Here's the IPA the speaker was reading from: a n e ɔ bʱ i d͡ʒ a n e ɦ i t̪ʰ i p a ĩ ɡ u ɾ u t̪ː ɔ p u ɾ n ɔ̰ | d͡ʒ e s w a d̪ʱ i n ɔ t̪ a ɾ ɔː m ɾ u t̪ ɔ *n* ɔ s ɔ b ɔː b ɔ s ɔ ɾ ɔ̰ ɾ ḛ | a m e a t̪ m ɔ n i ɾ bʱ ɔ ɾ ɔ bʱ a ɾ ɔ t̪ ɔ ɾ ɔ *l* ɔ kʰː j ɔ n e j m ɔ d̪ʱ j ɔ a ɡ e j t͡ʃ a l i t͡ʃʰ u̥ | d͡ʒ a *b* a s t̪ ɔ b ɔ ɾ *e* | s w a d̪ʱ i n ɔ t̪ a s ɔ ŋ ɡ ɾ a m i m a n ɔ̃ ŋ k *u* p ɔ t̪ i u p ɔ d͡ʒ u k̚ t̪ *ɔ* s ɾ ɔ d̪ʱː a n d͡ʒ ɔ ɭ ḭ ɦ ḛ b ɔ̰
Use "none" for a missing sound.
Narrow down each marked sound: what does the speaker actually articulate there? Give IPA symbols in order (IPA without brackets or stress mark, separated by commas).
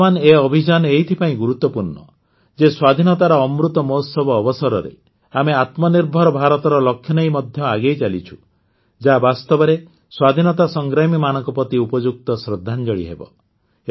m, l, b, e, ɔ, ɔ